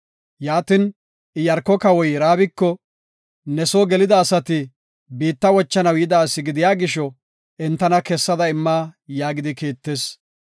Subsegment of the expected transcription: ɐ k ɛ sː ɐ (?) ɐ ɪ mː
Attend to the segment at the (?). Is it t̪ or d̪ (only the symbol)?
d̪